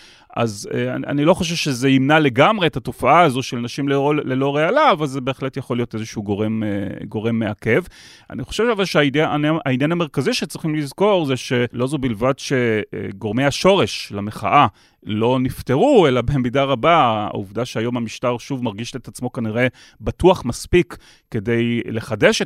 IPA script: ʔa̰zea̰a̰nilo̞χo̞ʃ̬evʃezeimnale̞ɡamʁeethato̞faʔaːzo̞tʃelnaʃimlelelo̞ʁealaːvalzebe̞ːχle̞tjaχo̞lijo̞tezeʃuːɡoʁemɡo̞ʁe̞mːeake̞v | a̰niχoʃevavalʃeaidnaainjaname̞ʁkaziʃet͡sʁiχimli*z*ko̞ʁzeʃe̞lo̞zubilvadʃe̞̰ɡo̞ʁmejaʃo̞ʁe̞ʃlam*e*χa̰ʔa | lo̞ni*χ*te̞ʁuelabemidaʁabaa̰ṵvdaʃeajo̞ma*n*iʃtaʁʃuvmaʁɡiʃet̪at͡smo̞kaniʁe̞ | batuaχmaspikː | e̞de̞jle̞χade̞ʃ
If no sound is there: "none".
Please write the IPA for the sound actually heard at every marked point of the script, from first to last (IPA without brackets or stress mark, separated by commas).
z, e, f, m